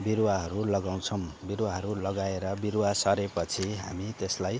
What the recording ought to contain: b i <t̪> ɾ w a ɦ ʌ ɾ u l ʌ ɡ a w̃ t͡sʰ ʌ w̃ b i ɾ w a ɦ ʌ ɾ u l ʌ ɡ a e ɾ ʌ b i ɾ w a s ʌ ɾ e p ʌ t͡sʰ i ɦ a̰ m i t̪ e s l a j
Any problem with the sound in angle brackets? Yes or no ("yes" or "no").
yes